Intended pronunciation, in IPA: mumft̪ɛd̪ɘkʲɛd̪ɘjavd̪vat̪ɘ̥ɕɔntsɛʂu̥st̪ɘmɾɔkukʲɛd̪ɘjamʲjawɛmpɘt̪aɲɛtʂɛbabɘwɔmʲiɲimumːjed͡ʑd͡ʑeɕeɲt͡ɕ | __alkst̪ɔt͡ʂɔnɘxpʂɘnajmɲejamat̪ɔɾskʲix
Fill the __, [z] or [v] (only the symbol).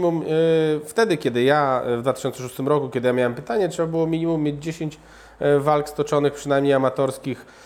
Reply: v